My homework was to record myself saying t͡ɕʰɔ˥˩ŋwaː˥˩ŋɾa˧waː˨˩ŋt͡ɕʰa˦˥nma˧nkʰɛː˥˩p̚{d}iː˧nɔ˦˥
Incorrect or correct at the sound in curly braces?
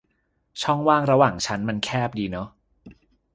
correct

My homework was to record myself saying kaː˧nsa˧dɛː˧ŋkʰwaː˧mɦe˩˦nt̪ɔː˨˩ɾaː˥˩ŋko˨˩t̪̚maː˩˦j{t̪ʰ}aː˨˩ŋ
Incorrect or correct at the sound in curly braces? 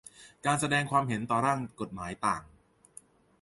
incorrect: t̪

